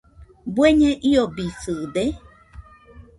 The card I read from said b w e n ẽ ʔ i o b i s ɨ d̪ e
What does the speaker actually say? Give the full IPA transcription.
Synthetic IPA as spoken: b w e ɲ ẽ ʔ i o b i s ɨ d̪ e